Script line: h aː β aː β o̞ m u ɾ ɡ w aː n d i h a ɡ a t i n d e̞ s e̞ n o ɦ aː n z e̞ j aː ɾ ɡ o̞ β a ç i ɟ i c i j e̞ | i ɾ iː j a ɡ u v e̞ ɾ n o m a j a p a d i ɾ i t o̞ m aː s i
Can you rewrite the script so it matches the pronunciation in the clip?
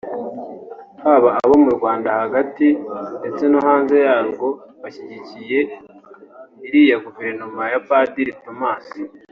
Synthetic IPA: h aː β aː β o̞ m u ɾ ɡ w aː n d a h a ɡ a t i n d e̞ t͡s e̞ n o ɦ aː n z e̞ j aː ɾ ɡ o̞ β a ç i ɟ i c i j e̞ | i ɾ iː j a ɡ u v e̞ ɾ n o m a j a p a d i ɾ i t o̞ m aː s i